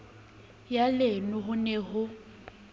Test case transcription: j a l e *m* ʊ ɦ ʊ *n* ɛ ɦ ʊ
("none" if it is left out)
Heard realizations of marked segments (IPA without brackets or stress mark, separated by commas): n, n